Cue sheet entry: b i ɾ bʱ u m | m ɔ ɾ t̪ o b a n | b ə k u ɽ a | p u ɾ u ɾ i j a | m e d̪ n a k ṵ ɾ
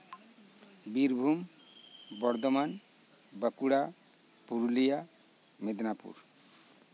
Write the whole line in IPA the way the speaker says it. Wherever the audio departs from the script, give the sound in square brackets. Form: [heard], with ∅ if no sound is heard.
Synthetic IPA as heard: b i ɾ bʱ u m | [b] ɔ ɾ [d̪] o [m] a n | b ə k u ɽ a | p u ɾ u [l] i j a | m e d̪ n a [p] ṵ ɾ